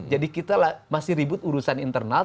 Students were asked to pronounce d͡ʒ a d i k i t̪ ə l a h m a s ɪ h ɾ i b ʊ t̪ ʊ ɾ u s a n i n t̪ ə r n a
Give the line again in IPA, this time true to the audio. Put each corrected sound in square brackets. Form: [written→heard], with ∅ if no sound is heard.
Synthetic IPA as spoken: d͡ʒ a d i k i t̪ [ə→a] l a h m a s ɪ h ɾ i b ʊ t̪ [ʊ→u] ɾ u s a n i n t̪ ə r n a